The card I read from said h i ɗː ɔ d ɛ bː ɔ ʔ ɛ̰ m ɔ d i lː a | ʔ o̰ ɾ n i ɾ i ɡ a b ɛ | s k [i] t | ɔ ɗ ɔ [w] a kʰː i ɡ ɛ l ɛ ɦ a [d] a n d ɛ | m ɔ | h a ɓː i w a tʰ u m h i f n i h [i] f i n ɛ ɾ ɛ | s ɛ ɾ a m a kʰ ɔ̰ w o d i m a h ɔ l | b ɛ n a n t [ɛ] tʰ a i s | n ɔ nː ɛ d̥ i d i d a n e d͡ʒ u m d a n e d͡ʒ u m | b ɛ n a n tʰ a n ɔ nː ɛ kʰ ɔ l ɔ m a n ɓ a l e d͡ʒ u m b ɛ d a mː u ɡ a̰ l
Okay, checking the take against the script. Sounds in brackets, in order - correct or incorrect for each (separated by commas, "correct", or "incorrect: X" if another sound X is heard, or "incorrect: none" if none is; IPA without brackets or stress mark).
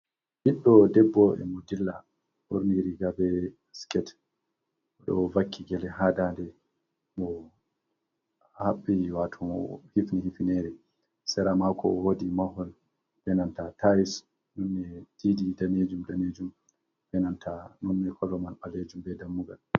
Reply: incorrect: ɛ, incorrect: v, correct, correct, incorrect: a